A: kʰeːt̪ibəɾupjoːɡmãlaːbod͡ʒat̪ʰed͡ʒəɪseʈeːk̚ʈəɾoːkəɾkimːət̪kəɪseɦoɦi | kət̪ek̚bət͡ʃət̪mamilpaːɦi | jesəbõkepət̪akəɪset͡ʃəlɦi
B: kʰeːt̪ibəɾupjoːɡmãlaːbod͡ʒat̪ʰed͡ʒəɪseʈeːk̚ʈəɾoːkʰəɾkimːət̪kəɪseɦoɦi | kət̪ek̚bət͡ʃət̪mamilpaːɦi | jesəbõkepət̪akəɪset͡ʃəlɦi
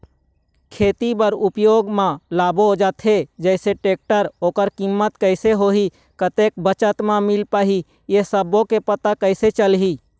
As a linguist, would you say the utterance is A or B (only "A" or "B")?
A